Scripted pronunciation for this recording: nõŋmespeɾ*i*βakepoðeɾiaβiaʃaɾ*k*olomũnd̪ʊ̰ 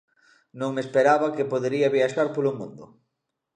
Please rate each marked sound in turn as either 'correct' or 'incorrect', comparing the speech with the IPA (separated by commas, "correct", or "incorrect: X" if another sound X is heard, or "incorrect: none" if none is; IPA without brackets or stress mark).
incorrect: a, incorrect: p